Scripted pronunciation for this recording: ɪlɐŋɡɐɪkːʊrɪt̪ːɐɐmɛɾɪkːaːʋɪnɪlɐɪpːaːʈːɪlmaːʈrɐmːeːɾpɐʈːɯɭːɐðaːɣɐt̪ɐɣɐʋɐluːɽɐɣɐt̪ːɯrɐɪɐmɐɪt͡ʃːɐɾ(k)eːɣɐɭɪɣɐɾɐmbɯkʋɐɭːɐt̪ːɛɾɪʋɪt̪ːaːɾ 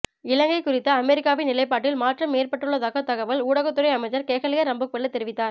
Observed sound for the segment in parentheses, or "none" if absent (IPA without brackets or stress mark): k